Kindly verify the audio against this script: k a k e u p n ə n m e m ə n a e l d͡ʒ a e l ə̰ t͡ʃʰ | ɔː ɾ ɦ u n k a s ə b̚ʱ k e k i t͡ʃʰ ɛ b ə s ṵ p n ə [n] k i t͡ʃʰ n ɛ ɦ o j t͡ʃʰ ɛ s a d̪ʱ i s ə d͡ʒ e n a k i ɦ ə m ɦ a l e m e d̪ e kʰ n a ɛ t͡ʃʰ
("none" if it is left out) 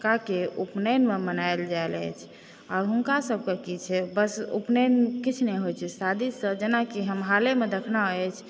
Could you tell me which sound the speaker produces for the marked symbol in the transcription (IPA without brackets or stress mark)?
n